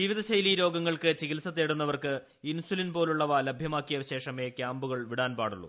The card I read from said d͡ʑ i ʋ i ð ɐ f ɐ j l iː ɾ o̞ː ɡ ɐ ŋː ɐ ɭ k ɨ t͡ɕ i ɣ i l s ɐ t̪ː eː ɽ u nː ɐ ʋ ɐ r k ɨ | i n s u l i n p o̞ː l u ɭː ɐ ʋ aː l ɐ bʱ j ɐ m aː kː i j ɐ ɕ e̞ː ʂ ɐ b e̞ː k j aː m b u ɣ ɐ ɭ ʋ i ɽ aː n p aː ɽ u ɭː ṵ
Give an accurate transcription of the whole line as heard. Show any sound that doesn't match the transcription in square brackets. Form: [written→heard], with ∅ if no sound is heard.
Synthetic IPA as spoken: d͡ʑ i ʋ i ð ɐ [f→ɕ] ɐ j l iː ɾ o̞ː ɡ ɐ ŋː ɐ ɭ k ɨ t͡ɕ i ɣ i l s ɐ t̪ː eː ɽ u nː ɐ ʋ ɐ r k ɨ | i n s u l i n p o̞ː l u ɭː ɐ ʋ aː l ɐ bʱ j ɐ m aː kː i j ɐ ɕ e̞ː ʂ ɐ [b→m] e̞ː k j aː m b u ɣ ɐ ɭ ʋ i ɽ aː n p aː ɽ u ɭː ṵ